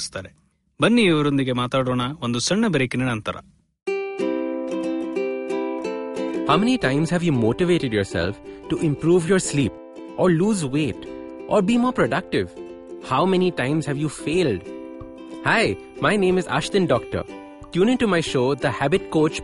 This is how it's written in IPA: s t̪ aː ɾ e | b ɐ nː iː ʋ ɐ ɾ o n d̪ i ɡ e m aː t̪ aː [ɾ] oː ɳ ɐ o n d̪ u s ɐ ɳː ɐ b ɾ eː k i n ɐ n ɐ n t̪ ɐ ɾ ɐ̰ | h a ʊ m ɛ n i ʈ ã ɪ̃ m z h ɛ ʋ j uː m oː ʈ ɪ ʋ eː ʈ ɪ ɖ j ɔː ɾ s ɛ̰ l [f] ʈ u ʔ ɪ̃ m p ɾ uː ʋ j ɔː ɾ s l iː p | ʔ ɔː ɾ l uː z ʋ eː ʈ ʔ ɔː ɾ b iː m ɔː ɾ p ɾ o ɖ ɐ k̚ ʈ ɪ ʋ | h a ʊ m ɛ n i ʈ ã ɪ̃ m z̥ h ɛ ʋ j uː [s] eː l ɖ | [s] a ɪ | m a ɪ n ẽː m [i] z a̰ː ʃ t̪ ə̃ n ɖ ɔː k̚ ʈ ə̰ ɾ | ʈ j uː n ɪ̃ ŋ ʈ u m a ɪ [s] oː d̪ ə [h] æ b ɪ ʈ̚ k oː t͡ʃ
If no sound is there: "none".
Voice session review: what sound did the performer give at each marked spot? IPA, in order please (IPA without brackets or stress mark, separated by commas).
ɽ, f, f, h, ɪ, ʃ, h